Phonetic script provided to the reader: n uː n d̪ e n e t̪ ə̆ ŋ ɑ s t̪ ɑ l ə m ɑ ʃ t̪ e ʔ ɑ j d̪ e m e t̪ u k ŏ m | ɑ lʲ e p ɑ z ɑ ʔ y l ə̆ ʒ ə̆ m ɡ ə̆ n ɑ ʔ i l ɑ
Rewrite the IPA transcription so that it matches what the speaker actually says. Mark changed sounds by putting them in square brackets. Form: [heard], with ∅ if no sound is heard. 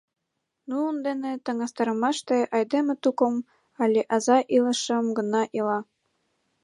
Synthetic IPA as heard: n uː n d̪ e n e t̪ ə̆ ŋ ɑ s t̪ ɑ [ɾ] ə m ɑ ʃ t̪ e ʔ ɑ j d̪ e m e t̪ u k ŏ m | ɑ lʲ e [ʔ] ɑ z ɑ ʔ [i] l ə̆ [ʃ] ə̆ m ɡ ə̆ n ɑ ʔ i l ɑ